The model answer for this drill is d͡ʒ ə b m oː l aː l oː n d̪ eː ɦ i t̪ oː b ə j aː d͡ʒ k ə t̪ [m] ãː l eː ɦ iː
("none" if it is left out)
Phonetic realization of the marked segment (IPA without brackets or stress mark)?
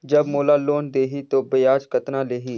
n